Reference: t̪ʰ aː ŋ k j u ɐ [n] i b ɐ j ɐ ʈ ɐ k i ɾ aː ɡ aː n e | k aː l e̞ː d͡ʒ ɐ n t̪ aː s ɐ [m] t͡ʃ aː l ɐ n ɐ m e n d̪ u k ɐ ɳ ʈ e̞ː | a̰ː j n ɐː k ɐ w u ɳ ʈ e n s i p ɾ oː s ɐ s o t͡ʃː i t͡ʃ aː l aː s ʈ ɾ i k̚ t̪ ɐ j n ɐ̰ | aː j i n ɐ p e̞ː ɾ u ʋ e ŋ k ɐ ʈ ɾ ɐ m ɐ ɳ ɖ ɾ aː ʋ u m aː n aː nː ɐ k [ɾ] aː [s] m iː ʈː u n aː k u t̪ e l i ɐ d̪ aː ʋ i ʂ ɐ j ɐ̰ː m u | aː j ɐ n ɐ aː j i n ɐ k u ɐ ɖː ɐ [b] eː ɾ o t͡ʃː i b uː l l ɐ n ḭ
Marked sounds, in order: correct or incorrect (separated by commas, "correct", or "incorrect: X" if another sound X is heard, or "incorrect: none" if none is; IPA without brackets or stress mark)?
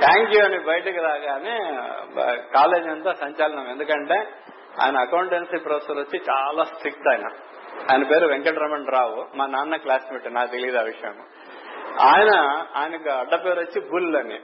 correct, incorrect: ɲ, incorrect: l, correct, incorrect: p